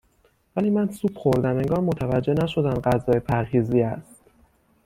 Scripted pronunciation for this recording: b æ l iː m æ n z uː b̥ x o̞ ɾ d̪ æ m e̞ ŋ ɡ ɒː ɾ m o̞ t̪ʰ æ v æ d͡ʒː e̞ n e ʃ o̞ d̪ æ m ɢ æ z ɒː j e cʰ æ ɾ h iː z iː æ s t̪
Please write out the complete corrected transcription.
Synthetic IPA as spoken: v æ l iː m æ n s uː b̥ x o̞ ɾ d̪ æ m e̞ ŋ ɡ ɒː ɾ m o̞ t̪ʰ æ v æ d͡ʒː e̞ n æ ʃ o̞ d̪ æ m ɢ æ z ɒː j e pʰ æ ɾ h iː z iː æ s t̪